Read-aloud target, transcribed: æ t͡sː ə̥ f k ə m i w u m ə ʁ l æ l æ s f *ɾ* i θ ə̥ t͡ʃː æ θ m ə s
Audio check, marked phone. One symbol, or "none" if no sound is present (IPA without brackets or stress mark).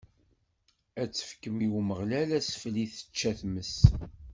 l